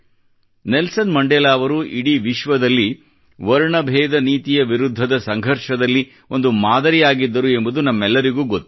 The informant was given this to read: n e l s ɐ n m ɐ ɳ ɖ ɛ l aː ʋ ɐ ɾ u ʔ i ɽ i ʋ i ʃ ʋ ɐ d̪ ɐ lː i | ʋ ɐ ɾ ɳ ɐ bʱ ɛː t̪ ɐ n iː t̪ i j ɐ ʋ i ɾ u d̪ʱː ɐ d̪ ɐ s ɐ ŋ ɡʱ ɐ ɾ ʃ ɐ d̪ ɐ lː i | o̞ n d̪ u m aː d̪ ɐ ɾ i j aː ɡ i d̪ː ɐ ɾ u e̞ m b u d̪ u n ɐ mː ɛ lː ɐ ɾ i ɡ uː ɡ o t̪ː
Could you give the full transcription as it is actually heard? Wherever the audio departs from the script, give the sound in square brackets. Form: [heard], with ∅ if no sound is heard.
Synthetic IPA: n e l s ɐ n m ɐ ɳ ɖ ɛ l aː ʋ ɐ ɾ u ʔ i ɽ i ʋ i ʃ ʋ ɐ d̪ ɐ lː i | ʋ ɐ ɾ ɳ ɐ bʱ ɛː [d̪] ɐ n iː t̪ i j ɐ ʋ i ɾ u d̪ʱː ɐ d̪ ɐ s ɐ ŋ ɡʱ ɐ ɾ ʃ ɐ d̪ ɐ lː i | o̞ n d̪ u m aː d̪ ɐ ɾ i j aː ɡ i d̪ː ɐ ɾ u e̞ m b u d̪ u n ɐ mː ɛ lː ɐ ɾ i ɡ uː ɡ o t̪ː